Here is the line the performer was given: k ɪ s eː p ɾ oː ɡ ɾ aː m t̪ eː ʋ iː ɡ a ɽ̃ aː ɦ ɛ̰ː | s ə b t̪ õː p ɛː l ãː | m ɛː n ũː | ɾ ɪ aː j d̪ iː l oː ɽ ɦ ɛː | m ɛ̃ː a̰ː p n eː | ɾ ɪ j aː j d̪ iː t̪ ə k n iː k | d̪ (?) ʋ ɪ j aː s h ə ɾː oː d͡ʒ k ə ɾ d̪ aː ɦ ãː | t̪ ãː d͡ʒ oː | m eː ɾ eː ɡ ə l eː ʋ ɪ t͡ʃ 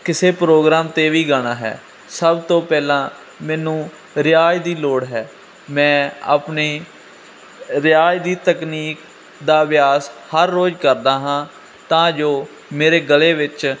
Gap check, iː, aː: aː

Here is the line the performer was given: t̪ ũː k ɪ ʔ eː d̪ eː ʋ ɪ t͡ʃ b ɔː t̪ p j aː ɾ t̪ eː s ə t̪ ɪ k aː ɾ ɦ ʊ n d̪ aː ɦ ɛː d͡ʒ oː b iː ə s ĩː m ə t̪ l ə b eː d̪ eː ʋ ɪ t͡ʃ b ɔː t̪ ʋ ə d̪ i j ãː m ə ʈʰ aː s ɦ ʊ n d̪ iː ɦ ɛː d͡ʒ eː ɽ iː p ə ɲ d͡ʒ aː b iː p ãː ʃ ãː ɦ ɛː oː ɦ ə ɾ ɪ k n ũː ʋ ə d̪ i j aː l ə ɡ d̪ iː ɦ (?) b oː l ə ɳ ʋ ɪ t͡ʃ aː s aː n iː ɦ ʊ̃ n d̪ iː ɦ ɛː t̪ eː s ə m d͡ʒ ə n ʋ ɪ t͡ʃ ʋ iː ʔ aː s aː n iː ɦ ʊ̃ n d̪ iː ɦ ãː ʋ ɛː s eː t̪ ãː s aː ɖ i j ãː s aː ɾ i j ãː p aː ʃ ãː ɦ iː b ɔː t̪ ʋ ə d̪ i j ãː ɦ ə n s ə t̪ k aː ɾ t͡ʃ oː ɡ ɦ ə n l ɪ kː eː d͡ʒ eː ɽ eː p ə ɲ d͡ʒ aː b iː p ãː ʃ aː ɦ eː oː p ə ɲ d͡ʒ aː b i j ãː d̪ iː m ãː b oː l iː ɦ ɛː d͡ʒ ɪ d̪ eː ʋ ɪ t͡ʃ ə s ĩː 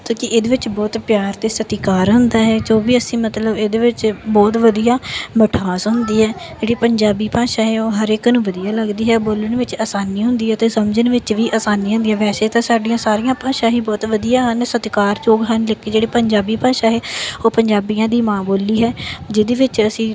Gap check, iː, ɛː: ɛː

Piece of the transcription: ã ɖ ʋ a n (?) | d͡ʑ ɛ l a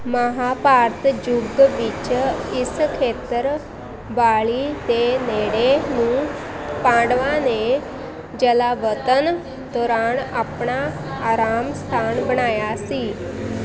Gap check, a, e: e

